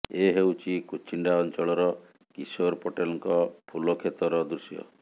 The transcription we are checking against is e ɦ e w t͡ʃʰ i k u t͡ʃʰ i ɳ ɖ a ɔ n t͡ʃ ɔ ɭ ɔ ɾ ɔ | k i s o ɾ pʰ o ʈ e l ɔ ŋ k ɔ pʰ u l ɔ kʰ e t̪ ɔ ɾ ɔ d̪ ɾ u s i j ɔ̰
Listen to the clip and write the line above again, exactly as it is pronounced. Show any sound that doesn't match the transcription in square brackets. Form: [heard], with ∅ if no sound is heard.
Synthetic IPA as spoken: e ɦ e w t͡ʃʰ i k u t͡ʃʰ i ɳ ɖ a ɔ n t͡ʃ ɔ ɭ ɔ ɾ ɔ | k i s o ɾ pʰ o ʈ e l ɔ ŋ k ɔ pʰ u l ɔ kʰ e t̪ ɔ ɾ ɔ d̪ ɾ u s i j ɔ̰

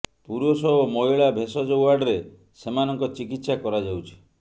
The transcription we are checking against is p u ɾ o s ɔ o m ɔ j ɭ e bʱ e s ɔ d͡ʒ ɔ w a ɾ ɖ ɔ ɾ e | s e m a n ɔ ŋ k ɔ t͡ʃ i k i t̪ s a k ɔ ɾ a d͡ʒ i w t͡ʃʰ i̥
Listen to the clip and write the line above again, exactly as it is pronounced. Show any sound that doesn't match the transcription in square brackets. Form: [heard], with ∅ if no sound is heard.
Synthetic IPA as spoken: p u ɾ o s ɔ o m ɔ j ɭ [a] bʱ e s ɔ d͡ʒ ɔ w a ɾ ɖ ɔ ɾ e | s e m a n ɔ ŋ k ɔ t͡ʃ i k i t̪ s a k ɔ ɾ a d͡ʒ [a] w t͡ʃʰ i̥

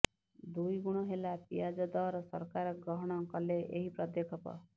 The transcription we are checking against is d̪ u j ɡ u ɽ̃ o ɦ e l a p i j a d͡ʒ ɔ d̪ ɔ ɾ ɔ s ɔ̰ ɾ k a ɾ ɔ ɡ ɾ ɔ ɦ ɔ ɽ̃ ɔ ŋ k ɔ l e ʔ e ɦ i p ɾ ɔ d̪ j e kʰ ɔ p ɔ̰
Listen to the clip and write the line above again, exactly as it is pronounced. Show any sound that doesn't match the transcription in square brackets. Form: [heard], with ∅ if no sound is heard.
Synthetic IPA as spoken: d̪ u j ɡ u ɽ̃ [ɔ] ɦ e l a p i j a d͡ʒ ɔ d̪ ɔ ɾ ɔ s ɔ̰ ɾ k a ɾ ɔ ɡ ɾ ɔ ɦ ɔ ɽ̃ ɔ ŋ k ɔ l e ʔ e ɦ i p ɾ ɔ d̪ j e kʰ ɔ p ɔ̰

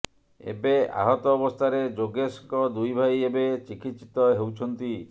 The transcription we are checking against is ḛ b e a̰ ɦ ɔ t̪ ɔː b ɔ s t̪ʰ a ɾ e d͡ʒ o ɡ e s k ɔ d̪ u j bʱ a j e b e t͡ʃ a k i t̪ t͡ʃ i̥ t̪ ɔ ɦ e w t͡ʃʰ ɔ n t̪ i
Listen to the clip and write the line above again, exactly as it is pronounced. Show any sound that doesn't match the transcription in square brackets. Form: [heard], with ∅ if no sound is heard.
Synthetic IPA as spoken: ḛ b e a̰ ɦ ɔ t̪ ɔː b ɔ s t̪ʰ a ɾ e d͡ʒ o ɡ e s k ɔ d̪ u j bʱ a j e b e t͡ʃ [i] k i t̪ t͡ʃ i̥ t̪ ɔ ɦ e w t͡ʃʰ ɔ n t̪ i

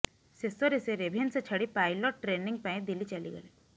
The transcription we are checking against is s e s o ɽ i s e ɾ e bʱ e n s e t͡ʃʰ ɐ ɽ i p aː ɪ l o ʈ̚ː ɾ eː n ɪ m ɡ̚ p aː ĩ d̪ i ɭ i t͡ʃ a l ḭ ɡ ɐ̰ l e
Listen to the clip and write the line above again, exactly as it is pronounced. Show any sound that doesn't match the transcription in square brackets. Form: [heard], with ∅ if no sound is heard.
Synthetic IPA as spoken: s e s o [ɾ] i s e ɾ e bʱ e n s e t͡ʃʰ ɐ ɽ i p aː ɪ l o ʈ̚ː ɾ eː n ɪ [ŋ] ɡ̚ p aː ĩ d̪ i [l] i t͡ʃ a l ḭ ɡ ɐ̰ l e

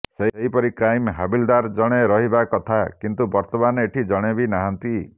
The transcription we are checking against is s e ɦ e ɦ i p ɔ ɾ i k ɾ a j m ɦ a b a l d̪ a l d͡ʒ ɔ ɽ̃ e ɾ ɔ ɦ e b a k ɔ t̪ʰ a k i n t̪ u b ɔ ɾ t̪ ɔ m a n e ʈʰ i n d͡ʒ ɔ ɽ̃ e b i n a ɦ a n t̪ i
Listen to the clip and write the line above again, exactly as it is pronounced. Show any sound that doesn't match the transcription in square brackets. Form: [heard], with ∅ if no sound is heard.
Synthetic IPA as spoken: s e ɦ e ɦ i p ɔ ɾ i k ɾ a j m ɦ a b [i] l d̪ a [ɾ] d͡ʒ ɔ ɽ̃ e ɾ ɔ ɦ [i] b a k ɔ t̪ʰ a k i n t̪ u b ɔ ɾ t̪ ɔ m a n e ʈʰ i [∅] d͡ʒ ɔ ɽ̃ e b i n a ɦ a n t̪ i

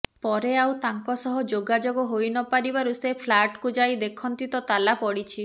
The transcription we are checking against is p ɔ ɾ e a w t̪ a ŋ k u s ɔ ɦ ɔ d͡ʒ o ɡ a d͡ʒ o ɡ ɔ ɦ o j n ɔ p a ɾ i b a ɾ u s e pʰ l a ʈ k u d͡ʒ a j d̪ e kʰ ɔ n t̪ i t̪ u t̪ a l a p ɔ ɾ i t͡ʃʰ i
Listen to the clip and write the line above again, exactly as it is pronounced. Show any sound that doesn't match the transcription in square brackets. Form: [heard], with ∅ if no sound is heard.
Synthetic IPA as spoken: p ɔ ɾ e a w t̪ a ŋ k [ɔ] s ɔ ɦ ɔ d͡ʒ o ɡ a d͡ʒ o ɡ ɔ ɦ o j n ɔ p a ɾ i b a ɾ u s e pʰ l a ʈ k u d͡ʒ a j d̪ e kʰ ɔ n t̪ i t̪ [ɔ] t̪ a l a p ɔ [ɽ] i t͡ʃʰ i

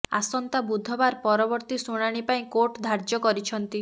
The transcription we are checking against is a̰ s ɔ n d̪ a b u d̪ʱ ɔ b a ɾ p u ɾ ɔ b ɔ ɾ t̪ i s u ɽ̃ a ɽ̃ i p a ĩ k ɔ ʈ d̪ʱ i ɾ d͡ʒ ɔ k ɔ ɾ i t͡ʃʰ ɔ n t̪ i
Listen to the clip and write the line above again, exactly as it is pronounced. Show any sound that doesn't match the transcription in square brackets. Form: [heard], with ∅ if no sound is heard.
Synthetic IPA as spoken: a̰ s ɔ n [t̪] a b u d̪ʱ ɔ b a ɾ p [ɔ] ɾ ɔ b ɔ ɾ t̪ i s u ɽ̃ a ɽ̃ i p a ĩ k [o] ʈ d̪ʱ [a] ɾ d͡ʒ ɔ k ɔ ɾ i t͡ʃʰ ɔ n t̪ i

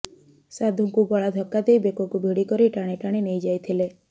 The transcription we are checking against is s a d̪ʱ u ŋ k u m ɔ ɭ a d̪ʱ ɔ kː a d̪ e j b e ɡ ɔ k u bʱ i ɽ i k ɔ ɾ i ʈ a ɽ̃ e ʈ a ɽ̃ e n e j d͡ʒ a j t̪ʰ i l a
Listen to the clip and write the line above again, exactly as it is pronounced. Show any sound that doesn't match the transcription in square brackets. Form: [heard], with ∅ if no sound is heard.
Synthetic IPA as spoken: s a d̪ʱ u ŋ k u [b] ɔ ɭ a d̪ʱ ɔ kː a d̪ e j b e [k] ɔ k u bʱ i ɽ i k ɔ ɾ i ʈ a ɽ̃ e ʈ a ɽ̃ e n e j d͡ʒ a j t̪ʰ i l [e]

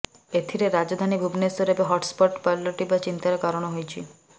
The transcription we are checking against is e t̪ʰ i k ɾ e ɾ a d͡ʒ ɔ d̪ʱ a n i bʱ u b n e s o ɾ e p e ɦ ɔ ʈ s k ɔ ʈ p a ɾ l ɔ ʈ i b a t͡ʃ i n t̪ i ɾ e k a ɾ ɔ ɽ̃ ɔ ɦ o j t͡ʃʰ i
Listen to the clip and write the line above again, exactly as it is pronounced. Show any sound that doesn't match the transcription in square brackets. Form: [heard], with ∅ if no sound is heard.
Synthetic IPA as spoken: e t̪ʰ i [∅] ɾ e ɾ a d͡ʒ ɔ d̪ʱ a n i bʱ u b n e s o ɾ e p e ɦ ɔ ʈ s [p] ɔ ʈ p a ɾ l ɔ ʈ i b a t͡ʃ i n t̪ [a] ɾ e k a ɾ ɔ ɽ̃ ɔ ɦ o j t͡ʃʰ i

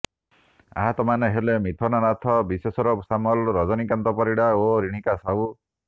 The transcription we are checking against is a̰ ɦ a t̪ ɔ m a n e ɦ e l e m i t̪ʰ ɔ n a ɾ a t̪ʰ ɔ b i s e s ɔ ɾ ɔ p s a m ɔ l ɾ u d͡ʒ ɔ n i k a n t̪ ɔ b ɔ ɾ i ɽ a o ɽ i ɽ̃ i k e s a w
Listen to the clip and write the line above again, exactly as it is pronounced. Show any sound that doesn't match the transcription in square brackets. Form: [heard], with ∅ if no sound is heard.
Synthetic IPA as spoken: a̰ ɦ a t̪ ɔ m a n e ɦ e l e m i t̪ʰ ɔ n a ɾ a t̪ʰ ɔ b i s e s ɔ ɾ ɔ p s a m ɔ l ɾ [ɔ] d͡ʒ ɔ n i k a n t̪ ɔ [p] ɔ ɾ i ɽ a o [ɾ] i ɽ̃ i k [a] s a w

